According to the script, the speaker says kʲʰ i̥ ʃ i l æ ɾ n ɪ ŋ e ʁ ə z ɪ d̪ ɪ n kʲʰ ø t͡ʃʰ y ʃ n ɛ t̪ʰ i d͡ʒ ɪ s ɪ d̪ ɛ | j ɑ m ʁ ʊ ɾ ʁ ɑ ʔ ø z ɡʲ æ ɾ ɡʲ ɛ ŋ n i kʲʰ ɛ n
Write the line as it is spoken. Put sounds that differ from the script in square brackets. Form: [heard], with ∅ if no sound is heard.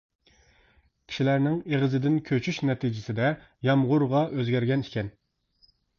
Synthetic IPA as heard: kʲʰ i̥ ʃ i l æ ɾ n ɪ ŋ e ʁ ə z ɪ d̪ ɪ n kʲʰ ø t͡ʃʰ y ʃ n ɛ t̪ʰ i d͡ʒ ɪ s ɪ d̪ ɛ | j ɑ m ʁ ʊ ɾ ʁ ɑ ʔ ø z ɡʲ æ ɾ ɡʲ ɛ [∅] n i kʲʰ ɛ n

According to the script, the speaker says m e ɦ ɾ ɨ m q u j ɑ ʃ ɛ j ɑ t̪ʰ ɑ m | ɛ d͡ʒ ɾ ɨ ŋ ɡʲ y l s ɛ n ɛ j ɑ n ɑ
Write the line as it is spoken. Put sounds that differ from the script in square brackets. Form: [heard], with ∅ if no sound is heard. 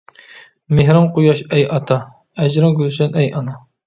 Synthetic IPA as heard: m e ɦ ɾ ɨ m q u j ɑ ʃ ɛ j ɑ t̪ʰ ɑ [∅] | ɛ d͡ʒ ɾ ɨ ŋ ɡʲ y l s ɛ n ɛ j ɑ n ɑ

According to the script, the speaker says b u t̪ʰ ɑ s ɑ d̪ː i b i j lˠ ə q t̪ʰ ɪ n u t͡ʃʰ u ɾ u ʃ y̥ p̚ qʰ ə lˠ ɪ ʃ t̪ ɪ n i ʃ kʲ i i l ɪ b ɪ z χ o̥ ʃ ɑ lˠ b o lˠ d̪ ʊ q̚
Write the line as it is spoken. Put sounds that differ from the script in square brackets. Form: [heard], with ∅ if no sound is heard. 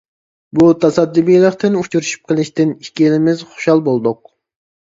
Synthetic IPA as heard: b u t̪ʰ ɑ s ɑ d̪ː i b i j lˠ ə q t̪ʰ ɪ n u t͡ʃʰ u ɾ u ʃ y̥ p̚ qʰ ə lˠ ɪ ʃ t̪ ɪ n i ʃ kʲ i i l ɪ [m] ɪ z χ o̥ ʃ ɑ lˠ b o lˠ d̪ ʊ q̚

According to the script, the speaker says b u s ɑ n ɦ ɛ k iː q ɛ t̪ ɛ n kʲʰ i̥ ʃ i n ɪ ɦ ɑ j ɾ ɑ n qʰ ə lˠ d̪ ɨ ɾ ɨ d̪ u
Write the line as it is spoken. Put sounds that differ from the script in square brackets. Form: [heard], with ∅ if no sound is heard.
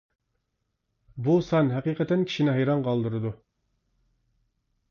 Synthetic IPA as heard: b u s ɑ n ɦ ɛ [q] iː q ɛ t̪ ɛ n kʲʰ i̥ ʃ i n ɪ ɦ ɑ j ɾ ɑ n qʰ [ɑ] lˠ d̪ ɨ ɾ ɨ d̪ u

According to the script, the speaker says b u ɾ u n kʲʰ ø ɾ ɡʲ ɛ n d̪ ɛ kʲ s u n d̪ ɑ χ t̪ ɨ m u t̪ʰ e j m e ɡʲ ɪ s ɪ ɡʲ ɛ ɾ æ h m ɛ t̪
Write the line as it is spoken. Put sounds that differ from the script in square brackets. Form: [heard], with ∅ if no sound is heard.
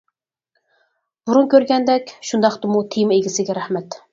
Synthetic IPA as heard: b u ɾ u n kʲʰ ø ɾ ɡʲ ɛ n d̪ ɛ kʲ [ʃ] u n d̪ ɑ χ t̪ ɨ m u t̪ʰ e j m e ɡʲ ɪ s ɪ ɡʲ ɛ ɾ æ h m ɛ t̪

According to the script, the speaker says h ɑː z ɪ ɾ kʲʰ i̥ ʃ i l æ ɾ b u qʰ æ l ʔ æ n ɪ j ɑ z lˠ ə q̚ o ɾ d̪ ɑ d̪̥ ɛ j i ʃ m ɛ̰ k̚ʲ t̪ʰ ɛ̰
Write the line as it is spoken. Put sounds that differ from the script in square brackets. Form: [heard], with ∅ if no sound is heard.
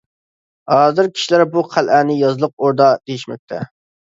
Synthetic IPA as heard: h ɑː z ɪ ɾ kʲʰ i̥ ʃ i l æ ɾ b u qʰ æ l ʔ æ n ɪ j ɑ z lˠ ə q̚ o ɾ d̪ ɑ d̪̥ [e] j i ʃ m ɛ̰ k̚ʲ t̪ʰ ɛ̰

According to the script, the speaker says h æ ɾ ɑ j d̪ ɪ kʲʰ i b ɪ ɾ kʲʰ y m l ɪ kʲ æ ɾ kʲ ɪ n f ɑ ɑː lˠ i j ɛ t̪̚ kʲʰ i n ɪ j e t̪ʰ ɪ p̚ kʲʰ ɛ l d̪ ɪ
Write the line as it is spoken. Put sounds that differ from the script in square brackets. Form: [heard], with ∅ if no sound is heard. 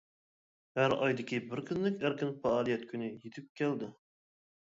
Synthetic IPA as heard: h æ ɾ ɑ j d̪ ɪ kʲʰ i b ɪ ɾ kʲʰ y [n] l ɪ kʲ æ ɾ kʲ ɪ n f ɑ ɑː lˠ i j ɛ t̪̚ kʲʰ [y] n ɪ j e t̪ʰ ɪ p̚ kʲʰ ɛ l d̪ ɪ

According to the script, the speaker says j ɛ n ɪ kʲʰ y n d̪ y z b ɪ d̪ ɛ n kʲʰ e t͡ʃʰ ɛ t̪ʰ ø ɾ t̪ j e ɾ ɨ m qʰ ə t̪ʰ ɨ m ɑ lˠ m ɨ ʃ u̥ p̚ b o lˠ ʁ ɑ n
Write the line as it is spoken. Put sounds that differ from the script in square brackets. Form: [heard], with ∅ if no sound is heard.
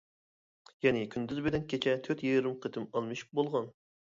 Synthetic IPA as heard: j ɛ n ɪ kʲʰ y n d̪ y z b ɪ d̪ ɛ n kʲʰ e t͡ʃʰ ɛ t̪ʰ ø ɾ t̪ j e ɾ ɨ m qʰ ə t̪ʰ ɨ m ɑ lˠ m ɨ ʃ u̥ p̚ b o lˠ ʁ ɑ n

